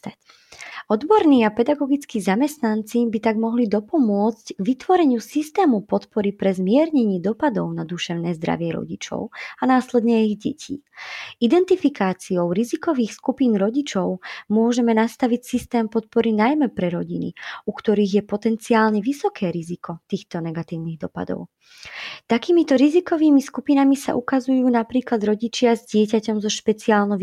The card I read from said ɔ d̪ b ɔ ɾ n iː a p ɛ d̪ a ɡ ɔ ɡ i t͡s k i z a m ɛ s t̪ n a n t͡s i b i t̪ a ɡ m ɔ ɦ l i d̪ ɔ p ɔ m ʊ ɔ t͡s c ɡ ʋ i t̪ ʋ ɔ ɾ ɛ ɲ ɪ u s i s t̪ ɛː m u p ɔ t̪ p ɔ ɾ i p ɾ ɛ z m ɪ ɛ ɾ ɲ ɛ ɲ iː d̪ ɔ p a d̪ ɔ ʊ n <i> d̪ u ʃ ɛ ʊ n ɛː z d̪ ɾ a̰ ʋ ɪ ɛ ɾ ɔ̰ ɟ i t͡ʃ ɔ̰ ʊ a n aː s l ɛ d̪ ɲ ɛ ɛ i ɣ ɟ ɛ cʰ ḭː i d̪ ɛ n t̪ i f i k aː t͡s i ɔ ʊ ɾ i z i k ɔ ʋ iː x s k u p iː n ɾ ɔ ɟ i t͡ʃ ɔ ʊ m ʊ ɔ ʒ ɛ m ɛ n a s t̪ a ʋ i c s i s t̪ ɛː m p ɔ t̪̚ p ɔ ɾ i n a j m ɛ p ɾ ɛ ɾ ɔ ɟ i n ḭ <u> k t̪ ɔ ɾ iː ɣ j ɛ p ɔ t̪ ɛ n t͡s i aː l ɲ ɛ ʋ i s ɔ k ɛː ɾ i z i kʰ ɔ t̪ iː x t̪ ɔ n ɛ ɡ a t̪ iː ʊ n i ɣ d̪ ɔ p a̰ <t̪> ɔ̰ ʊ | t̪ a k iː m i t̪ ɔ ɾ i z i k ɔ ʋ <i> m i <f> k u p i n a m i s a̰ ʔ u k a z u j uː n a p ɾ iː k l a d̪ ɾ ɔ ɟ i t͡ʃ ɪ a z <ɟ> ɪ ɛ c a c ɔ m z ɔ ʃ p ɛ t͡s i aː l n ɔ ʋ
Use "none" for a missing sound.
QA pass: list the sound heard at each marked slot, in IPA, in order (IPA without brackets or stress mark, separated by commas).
a, u, d̪, iː, s, ɟ